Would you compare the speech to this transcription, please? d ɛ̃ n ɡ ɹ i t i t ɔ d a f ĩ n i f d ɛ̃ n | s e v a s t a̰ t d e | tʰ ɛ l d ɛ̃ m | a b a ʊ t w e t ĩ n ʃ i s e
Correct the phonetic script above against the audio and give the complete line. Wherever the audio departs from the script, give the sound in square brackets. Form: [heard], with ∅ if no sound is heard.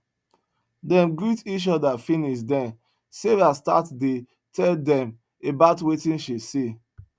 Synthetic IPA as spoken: d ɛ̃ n ɡ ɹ i t i [t͡ʃ] ɔ d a f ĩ n i [ʃ] d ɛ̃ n | s e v a s t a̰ t d e | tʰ ɛ l d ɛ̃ m | [e] b a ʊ t w e t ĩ n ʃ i s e